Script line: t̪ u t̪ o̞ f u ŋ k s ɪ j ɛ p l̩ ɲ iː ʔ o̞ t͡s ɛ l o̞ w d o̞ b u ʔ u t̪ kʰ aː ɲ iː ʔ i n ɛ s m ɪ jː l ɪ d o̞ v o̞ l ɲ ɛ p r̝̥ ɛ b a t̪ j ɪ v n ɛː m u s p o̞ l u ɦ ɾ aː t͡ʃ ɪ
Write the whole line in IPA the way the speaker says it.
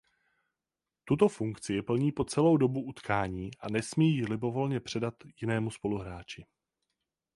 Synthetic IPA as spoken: t̪ u t̪ o̞ f u ŋ k t͡s ɪ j ɛ p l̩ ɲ iː p o̞ t͡s ɛ l o̞ w d o̞ b u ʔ u t̪ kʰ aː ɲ iː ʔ a n ɛ s m i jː l ɪ b o̞ v o̞ l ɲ ɛ p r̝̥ ɛ d a t̪ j ɪ n ɛː m u s p o̞ l u ɦ ɾ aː t͡ʃ ɪ